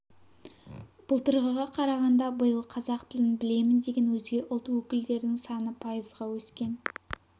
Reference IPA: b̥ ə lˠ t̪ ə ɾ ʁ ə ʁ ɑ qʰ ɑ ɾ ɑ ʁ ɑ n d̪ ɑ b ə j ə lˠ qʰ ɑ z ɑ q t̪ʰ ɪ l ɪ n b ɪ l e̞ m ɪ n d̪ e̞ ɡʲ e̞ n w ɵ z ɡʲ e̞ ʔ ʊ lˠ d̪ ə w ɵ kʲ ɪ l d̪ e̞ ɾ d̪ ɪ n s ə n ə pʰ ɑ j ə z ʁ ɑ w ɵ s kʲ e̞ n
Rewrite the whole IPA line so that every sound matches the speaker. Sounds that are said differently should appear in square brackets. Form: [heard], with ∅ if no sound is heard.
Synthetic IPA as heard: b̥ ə lˠ t̪ ə ɾ ʁ ə ʁ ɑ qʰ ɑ ɾ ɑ ʁ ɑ n d̪ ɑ b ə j ə lˠ qʰ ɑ z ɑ q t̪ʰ ɪ l ɪ n b ɪ l e̞ m ɪ n d̪ e̞ ɡʲ e̞ n w ɵ z ɡʲ e̞ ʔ ʊ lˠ [t̪] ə w ɵ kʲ ɪ l d̪ e̞ ɾ d̪ ɪ [ŋ] s [ɑ] n ə pʰ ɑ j ə z ʁ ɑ w ɵ s kʲ e̞ n

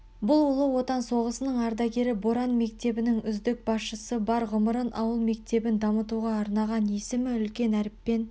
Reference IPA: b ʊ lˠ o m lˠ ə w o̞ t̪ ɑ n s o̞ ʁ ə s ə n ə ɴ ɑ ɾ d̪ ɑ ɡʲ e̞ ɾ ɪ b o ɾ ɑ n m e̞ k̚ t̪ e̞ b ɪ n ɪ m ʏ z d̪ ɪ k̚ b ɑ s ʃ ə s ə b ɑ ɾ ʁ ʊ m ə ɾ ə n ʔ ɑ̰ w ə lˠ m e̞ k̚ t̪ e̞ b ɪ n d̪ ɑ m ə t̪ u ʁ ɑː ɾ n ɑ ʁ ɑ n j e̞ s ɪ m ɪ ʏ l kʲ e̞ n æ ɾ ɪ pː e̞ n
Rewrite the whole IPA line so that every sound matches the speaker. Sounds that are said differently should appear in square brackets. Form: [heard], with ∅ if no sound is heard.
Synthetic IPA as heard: b ʊ lˠ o [∅] lˠ ə w o̞ t̪ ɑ n s o̞ ʁ ə s ə n ə ɴ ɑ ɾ d̪ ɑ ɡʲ e̞ ɾ ɪ b o ɾ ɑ n m e̞ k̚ t̪ e̞ b ɪ n ɪ [ŋ] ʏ z d̪ ɪ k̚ b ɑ s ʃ ə s ə b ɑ ɾ ʁ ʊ m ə ɾ ə n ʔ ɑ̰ w ə lˠ m e̞ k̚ t̪ e̞ b ɪ n d̪ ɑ m ə t̪ u ʁ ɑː ɾ n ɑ ʁ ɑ n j e̞ s ɪ m ɪ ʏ l kʲ e̞ n æ ɾ ɪ pː e̞ n

